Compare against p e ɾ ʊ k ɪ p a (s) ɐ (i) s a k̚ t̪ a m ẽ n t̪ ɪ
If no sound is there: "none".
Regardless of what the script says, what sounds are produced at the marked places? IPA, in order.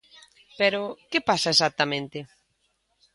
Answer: s, e

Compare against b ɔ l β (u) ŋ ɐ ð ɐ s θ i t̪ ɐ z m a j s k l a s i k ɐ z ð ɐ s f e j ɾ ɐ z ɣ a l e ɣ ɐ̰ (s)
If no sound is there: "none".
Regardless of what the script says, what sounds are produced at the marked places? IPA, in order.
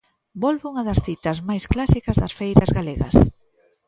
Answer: u, s

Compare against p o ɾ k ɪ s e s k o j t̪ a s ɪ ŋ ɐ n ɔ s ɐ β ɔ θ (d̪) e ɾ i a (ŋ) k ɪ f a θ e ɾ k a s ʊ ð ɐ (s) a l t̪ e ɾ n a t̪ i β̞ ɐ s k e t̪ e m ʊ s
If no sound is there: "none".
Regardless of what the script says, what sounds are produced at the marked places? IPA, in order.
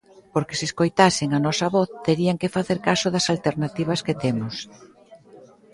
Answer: t̪, ŋ, s

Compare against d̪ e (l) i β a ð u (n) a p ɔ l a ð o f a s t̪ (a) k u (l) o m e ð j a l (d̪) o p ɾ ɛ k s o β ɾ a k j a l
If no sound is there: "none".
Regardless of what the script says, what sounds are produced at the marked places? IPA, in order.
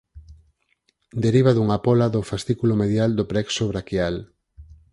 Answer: ɾ, ŋ, i, l, d̪

